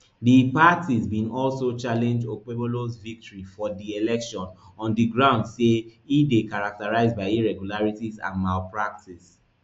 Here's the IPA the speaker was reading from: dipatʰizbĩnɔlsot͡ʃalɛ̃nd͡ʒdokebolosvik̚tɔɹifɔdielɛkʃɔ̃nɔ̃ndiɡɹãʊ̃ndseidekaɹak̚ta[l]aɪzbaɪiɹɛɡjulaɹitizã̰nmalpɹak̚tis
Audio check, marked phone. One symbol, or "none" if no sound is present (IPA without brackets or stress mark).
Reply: ɹ